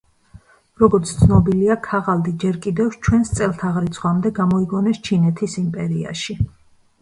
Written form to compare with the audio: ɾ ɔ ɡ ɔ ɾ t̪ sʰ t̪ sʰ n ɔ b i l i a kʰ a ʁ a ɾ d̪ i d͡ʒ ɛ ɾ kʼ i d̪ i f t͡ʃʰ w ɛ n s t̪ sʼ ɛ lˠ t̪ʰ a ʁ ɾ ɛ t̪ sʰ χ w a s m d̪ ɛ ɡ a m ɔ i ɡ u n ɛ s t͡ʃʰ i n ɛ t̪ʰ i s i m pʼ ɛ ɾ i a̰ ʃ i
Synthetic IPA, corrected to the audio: ɾ ɔ ɡ ɔ ɾ t̪ sʰ t̪ sʰ n ɔ b i l i a kʰ a ʁ a l d̪ i d͡ʒ ɛ ɾ kʼ i d̪ ɛ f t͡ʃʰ w ɛ n s t̪ sʼ ɛ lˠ t̪ʰ a ʁ ɾ i t̪ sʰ χ w a m d̪ ɛ ɡ a m ɔ i ɡ ɔ n ɛ s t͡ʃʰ i n ɛ t̪ʰ i s i m pʼ ɛ ɾ i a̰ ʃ i